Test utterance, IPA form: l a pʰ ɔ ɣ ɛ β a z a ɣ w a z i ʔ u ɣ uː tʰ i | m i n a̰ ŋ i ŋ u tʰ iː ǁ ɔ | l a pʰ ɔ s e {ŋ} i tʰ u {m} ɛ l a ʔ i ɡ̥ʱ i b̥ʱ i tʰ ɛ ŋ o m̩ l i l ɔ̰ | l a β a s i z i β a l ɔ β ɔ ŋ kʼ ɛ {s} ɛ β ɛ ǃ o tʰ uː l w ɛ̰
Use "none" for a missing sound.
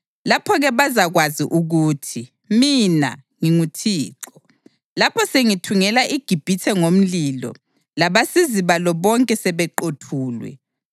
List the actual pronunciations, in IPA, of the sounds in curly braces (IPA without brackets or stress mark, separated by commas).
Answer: ŋ, ŋ, s